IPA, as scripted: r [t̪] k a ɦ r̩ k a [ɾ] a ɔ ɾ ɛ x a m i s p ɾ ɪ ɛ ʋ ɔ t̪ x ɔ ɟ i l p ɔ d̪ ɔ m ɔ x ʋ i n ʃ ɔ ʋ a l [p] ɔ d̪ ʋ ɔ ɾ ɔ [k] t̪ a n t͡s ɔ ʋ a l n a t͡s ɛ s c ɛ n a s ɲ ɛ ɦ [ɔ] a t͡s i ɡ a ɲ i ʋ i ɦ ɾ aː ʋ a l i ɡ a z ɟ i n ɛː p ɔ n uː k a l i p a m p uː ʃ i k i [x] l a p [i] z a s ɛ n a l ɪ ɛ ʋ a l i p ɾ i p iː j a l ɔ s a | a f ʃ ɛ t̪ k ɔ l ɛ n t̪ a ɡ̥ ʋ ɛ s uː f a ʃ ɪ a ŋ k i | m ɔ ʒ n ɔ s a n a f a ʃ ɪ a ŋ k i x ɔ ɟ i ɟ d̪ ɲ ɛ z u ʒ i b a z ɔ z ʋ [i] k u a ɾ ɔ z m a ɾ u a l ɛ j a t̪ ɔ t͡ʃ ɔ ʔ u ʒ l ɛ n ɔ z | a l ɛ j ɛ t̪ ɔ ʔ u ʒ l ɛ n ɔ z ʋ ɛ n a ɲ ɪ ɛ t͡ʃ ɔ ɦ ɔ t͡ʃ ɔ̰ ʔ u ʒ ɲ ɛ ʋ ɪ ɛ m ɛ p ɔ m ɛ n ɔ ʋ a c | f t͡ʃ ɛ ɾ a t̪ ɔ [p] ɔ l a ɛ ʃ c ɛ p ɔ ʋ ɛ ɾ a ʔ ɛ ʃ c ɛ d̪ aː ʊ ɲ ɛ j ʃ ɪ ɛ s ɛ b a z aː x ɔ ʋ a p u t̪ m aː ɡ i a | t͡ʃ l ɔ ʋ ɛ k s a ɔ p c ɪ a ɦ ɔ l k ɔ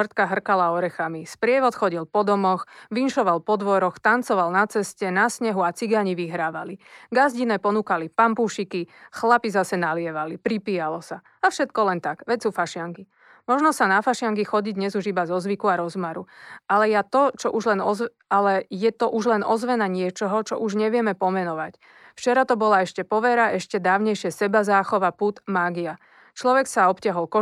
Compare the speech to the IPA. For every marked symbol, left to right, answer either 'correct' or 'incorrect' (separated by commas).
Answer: correct, incorrect, correct, incorrect, incorrect, correct, correct, correct, incorrect